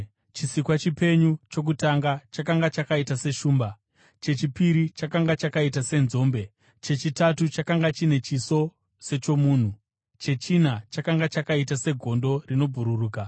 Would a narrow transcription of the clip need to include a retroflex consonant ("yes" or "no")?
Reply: no